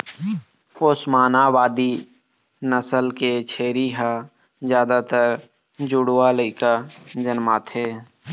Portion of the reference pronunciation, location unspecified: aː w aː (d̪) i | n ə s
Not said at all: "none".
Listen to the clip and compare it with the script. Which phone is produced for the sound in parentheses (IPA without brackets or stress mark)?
d̪